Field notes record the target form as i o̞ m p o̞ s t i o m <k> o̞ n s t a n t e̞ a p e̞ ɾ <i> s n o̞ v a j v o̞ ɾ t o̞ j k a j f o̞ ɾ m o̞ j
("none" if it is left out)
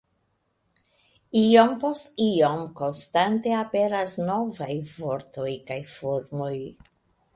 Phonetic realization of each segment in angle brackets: k, a

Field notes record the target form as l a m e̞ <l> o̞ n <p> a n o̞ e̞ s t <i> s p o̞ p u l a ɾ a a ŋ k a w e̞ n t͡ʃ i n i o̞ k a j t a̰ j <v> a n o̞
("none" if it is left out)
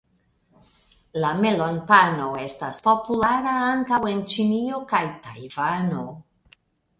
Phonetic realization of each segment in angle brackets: l, p, a, v

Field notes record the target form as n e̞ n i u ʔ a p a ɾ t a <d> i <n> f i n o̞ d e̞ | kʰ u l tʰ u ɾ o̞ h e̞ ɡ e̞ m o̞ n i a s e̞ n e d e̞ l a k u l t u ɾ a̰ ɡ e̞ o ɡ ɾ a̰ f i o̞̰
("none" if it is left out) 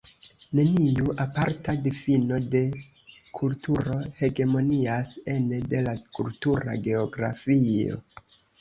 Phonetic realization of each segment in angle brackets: d, none

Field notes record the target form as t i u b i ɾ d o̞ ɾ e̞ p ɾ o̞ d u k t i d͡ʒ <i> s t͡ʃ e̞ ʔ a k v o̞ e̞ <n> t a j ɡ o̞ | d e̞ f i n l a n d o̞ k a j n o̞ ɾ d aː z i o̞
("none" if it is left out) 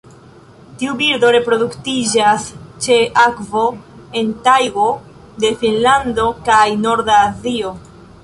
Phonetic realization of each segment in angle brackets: a, n

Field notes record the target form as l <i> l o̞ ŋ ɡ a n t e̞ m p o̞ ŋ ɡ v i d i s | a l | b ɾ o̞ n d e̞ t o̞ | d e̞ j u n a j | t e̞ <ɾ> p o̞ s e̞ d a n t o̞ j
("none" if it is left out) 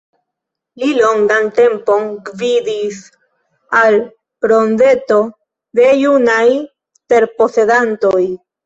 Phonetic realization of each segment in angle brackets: i, ɾ

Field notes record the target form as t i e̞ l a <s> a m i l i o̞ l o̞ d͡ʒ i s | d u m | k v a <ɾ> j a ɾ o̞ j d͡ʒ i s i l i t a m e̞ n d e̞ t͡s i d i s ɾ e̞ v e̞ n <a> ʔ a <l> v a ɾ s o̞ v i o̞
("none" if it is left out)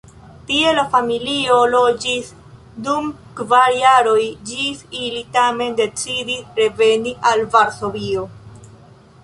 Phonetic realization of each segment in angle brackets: f, ɾ, i, l

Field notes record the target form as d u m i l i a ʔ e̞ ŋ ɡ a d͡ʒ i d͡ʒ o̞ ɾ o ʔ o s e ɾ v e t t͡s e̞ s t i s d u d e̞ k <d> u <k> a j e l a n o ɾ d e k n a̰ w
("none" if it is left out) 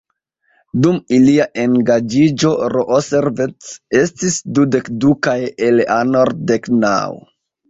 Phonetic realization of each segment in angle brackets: d, k

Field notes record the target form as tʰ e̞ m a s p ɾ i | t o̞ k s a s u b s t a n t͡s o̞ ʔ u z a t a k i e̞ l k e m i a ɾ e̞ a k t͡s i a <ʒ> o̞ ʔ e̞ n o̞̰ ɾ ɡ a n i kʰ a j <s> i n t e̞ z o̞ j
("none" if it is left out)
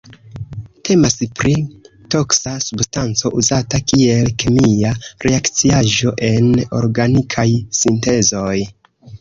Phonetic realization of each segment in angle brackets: ʒ, s

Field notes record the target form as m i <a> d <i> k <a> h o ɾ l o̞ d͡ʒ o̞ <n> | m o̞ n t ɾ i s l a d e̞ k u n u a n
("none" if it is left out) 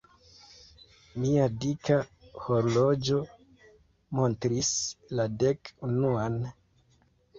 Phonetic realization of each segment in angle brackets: a, i, a, none

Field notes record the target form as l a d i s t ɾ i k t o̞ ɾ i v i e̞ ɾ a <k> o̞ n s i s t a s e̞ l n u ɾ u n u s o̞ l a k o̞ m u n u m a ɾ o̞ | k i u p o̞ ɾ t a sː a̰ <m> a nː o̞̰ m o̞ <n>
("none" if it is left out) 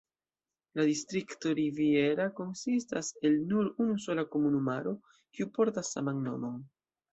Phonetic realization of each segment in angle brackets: k, m, n

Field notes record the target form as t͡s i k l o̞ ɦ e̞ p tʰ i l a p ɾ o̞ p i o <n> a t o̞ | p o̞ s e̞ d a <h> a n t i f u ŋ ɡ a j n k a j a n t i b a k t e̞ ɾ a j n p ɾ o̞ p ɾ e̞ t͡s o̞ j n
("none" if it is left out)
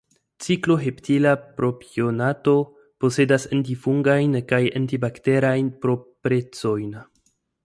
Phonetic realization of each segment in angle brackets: n, s

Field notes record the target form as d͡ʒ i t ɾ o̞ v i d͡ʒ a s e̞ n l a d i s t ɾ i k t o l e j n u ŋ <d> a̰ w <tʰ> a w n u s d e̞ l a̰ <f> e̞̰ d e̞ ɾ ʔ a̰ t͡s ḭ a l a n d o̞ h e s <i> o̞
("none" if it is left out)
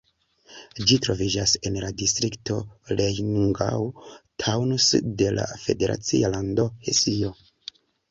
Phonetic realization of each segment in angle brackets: ɡ, tʰ, f, i

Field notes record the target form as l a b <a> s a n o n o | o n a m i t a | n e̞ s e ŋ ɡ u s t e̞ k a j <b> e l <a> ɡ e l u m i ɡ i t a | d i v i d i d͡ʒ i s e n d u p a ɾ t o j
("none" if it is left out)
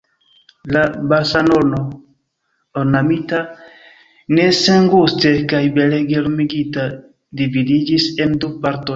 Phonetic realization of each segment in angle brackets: a, b, e

